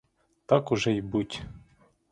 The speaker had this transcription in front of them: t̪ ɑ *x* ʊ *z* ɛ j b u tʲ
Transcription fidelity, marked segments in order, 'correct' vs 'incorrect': incorrect: k, incorrect: ʒ

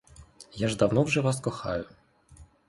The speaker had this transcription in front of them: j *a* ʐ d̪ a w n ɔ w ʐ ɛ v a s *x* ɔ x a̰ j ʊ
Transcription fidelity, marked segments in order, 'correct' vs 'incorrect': correct, incorrect: k

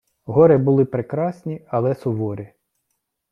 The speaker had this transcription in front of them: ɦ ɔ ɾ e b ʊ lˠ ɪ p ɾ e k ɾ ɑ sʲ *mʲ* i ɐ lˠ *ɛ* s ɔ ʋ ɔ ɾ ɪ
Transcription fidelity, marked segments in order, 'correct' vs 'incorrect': incorrect: nʲ, correct

